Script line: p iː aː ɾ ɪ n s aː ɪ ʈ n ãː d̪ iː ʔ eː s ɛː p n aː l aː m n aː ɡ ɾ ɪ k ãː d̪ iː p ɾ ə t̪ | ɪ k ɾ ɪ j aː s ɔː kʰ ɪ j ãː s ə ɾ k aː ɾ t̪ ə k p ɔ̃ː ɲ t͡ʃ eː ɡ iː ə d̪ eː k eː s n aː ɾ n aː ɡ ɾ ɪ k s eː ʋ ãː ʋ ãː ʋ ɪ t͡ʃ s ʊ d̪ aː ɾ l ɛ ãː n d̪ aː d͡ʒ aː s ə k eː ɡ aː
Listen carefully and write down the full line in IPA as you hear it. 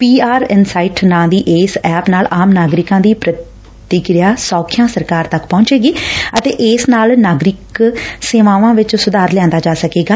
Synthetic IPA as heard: p iː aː ɾ ɪ n s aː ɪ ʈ n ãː d̪ iː ʔ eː s ɛː p n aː l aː m n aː ɡ ɾ ɪ k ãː d̪ iː p ɾ ə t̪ | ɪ k ɾ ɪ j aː s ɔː kʰ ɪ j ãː s ə ɾ k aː ɾ t̪ ə k p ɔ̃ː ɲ t͡ʃ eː ɡ iː ə t̪ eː ʔ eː s n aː l n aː ɡ ɾ ɪ k s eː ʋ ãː ʋ ãː ʋ ɪ t͡ʃ s ʊ d̪ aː ɾ l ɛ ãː n d̪ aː d͡ʒ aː s ə k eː ɡ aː

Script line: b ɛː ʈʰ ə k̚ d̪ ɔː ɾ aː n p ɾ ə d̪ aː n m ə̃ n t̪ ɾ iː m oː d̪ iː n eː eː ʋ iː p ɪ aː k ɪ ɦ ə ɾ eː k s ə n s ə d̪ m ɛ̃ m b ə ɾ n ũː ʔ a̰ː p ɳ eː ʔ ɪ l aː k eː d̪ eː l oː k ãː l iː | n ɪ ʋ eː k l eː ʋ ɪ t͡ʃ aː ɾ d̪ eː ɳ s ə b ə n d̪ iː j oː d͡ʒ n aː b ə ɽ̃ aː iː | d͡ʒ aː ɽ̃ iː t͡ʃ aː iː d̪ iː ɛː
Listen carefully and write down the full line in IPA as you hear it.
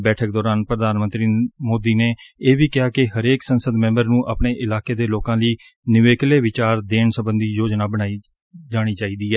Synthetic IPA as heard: b ɛː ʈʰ ə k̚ d̪ ɔː ɾ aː n p ɾ ə d̪ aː n m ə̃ n t̪ ɾ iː m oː d̪ iː n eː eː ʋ iː k ɪ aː k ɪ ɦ ə ɾ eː k s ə n s ə d̪ m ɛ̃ m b ə ɾ n ũː ʔ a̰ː p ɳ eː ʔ ɪ l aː k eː d̪ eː l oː k ãː l iː | n ɪ ʋ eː k l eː ʋ ɪ t͡ʃ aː ɾ d̪ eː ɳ s ə b ə n d̪ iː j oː d͡ʒ n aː b ə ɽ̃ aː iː | d͡ʒ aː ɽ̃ iː t͡ʃ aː iː d̪ iː ɛː

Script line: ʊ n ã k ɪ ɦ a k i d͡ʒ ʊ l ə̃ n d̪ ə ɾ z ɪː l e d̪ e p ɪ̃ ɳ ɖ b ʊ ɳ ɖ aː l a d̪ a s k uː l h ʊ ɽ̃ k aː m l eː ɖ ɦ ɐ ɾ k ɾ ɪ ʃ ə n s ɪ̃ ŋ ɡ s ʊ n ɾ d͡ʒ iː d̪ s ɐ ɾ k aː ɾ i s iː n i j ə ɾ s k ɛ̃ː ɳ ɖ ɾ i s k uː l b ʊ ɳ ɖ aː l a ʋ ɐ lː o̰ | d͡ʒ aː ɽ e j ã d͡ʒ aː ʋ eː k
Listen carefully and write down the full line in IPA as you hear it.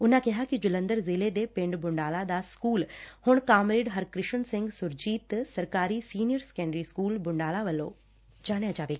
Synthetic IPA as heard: ʊ n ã k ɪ ɦ a k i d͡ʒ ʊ l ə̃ n d̪ ə ɾ z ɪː l e d̪ e p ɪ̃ ɳ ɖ b ʊ ɳ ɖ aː l a d̪ a s k uː l h ʊ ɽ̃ k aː m ɾ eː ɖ ɦ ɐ ɾ k ɾ ɪ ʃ ə n s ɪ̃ ŋ ɡ s ʊ ɾ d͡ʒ iː t̪ s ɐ ɾ k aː ɾ i s iː n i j ə ɾ s k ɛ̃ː ɳ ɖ ɾ i s k uː l b ʊ ɳ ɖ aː l a ʋ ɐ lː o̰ | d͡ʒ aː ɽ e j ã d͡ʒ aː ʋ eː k

